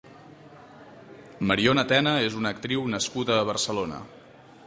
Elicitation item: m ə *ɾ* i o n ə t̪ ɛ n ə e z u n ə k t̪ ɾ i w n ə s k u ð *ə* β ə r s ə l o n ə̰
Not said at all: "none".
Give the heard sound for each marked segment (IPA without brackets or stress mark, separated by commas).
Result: ɾ, əː